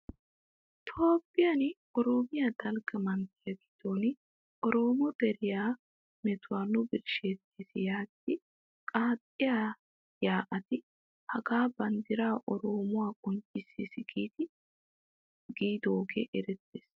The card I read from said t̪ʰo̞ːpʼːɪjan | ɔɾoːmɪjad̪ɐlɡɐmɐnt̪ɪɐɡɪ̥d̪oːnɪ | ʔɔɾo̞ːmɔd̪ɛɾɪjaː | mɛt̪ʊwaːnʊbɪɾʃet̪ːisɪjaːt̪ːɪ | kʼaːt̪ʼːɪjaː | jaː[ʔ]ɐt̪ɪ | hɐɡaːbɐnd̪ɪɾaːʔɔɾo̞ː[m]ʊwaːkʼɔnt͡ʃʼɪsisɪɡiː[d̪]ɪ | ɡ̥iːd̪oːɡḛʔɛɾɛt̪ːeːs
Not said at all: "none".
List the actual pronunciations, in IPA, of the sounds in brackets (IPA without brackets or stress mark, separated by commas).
ʔ, m, t̪